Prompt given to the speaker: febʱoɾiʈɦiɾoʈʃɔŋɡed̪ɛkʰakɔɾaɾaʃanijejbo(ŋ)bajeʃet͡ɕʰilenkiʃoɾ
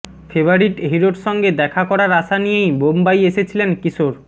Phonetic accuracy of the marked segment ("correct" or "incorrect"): incorrect